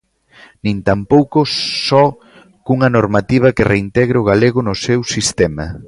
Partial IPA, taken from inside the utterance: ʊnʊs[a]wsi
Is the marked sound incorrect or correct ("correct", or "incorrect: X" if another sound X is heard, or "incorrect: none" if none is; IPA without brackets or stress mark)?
incorrect: e